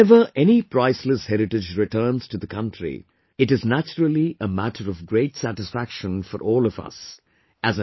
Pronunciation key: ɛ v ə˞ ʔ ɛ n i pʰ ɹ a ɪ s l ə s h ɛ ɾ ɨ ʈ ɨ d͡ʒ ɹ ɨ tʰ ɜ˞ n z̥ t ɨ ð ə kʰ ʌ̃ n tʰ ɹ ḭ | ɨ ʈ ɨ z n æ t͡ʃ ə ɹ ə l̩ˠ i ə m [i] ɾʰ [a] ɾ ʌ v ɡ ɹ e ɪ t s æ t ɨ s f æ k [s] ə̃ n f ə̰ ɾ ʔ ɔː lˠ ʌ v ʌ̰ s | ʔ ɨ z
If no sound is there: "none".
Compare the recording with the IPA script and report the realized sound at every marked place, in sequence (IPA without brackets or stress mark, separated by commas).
æ, ə, ʃ